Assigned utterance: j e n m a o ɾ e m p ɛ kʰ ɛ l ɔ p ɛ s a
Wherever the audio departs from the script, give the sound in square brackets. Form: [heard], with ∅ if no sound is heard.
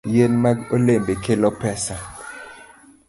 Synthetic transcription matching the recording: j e n m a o [l] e m [b] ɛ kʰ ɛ l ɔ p ɛ s a